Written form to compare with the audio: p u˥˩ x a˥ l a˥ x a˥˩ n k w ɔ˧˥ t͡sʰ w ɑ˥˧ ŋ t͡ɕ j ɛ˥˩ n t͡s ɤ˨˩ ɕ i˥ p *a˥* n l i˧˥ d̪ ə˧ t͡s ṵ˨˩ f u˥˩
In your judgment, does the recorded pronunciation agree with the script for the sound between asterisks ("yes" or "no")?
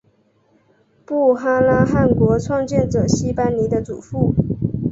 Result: yes